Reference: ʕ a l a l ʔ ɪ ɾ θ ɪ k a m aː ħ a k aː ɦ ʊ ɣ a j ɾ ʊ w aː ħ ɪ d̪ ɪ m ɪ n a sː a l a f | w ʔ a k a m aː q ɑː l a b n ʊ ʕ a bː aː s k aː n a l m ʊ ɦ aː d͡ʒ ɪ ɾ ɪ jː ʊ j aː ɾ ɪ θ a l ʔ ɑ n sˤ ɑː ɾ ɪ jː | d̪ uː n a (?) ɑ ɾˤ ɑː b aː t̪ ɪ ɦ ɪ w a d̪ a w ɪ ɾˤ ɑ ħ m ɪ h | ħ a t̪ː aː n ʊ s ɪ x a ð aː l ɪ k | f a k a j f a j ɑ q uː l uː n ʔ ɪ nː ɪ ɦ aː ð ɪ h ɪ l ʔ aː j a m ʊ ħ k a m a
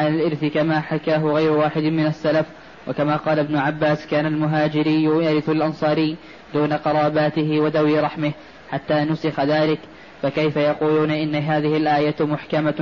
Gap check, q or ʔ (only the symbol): q